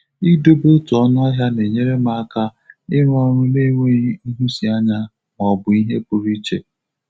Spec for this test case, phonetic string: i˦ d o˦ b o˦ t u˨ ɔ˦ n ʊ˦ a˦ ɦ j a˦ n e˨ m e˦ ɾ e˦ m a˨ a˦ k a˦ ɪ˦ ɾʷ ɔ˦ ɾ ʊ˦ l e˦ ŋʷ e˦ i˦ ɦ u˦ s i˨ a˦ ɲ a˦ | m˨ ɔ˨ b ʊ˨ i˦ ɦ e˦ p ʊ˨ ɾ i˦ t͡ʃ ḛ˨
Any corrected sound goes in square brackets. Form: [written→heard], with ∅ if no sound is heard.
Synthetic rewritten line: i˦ d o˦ b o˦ t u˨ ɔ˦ n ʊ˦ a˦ ɦ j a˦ n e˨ [m→ɲ] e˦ ɾ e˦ m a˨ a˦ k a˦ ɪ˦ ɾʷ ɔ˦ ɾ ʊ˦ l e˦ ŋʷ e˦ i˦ ɦ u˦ s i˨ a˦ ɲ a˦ | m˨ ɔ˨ b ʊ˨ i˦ ɦ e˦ p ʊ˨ ɾ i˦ t͡ʃ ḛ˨